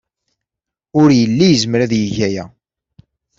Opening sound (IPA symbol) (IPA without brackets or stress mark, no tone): ʊ